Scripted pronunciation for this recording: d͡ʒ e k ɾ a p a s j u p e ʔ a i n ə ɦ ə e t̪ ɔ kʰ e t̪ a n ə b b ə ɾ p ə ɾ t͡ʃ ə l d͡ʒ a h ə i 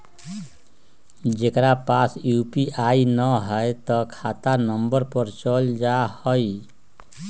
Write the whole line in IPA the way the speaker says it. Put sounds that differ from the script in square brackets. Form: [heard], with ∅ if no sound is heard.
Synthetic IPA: d͡ʒ e k ɾ a p a s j u p [i] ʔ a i n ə ɦ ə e t̪ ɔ kʰ [a] t̪ a n ə [m] b ə ɾ p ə ɾ t͡ʃ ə l d͡ʒ a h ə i